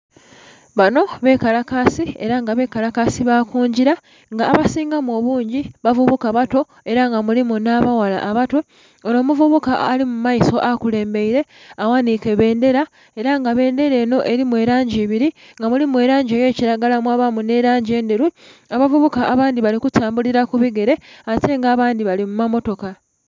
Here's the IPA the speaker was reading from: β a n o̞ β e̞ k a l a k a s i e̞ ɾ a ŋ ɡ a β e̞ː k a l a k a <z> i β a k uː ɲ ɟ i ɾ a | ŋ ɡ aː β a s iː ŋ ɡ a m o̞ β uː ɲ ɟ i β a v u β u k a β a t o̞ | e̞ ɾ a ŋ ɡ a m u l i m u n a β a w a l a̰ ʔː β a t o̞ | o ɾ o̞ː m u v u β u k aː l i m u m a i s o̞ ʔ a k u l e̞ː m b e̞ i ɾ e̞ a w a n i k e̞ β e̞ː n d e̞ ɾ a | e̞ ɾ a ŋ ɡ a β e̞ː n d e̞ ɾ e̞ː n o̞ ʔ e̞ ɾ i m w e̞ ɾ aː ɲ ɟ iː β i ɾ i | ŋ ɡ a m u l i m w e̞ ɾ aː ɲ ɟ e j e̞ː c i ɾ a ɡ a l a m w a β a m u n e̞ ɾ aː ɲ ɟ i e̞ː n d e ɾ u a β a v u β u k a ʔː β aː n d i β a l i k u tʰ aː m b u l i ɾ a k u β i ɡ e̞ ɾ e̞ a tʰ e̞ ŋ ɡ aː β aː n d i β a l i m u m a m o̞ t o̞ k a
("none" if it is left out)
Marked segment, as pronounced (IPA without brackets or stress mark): s